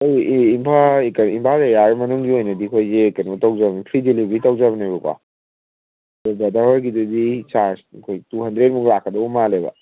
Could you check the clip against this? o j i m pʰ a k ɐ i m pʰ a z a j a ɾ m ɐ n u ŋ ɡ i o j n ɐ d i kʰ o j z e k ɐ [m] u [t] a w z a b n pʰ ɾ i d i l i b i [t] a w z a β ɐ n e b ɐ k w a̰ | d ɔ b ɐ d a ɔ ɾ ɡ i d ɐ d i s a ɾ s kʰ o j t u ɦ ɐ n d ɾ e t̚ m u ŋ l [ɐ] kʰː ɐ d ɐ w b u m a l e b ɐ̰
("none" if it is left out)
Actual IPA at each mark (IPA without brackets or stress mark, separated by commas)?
n, t, t, a